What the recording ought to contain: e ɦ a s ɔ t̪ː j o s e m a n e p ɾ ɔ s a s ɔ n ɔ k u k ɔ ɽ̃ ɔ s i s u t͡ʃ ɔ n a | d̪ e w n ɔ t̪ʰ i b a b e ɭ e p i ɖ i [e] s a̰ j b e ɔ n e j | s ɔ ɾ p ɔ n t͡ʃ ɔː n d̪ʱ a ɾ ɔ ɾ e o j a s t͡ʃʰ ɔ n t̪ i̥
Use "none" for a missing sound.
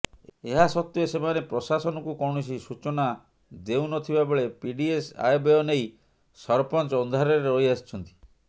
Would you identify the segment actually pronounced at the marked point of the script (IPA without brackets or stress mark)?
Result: e